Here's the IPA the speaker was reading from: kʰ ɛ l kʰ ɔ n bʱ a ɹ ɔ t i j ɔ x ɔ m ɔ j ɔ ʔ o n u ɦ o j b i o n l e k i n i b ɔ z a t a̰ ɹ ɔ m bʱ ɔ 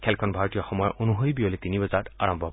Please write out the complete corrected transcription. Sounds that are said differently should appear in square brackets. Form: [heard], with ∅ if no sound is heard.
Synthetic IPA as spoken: kʰ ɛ l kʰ ɔ n bʱ a ɹ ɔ t i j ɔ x ɔ m ɔ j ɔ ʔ o n u ɦ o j b i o [∅] l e [t] i n i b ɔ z a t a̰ ɹ ɔ m bʱ ɔ